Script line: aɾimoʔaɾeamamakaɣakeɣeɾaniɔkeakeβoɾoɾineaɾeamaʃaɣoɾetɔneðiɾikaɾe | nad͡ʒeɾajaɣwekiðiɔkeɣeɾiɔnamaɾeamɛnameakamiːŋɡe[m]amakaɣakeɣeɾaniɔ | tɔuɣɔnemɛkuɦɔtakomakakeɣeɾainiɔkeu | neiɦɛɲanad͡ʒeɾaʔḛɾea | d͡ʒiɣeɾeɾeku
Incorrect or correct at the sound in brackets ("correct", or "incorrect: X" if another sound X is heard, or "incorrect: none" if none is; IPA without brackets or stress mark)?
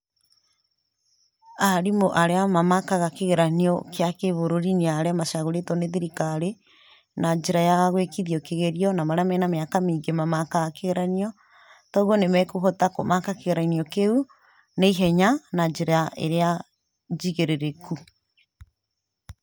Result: correct